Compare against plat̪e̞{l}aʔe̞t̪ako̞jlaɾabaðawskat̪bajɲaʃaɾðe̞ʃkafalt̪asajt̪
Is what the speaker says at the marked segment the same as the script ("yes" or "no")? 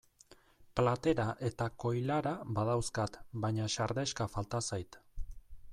no